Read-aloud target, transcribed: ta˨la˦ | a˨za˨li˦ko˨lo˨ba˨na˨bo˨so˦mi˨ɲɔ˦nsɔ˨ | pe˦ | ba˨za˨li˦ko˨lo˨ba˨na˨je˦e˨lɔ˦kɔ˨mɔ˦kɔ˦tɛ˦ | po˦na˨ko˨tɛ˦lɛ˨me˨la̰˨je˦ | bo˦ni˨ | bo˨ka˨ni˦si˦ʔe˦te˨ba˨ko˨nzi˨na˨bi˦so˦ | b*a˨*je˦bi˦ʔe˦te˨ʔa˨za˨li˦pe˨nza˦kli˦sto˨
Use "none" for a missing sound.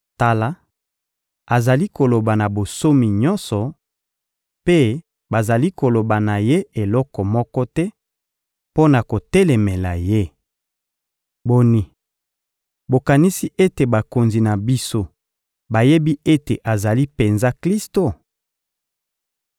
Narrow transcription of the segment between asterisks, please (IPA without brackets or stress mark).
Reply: a˨